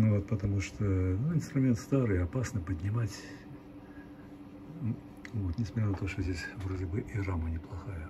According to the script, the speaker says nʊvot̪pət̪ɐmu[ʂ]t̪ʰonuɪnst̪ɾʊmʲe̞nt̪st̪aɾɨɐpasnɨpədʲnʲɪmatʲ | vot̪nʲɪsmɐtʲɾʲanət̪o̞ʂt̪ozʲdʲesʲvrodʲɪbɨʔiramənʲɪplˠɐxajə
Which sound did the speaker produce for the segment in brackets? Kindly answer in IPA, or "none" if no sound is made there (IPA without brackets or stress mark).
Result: ʂ